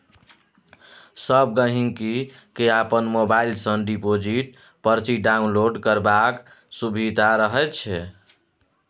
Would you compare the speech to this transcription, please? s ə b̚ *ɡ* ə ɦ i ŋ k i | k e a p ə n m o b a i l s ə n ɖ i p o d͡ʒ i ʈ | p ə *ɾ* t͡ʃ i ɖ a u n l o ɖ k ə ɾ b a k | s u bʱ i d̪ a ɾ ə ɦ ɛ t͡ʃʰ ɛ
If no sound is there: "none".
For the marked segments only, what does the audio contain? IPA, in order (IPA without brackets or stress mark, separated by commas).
ɡ, ɾ